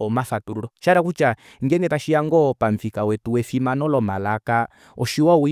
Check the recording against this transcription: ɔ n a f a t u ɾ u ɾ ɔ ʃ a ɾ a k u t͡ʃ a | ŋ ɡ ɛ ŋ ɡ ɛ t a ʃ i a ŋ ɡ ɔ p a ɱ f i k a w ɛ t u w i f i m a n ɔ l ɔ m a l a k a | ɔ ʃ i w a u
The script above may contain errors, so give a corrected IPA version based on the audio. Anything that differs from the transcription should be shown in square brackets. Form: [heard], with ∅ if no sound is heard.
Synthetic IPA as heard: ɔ [m] a f a t u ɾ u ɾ ɔ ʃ a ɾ a k u t͡ʃ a | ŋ ɡ ɛ ŋ ɡ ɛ t a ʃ i a ŋ ɡ ɔ p a ɱ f i k a w ɛ t u w [ɛ] f i m a n ɔ l ɔ m a l a k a | ɔ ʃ i w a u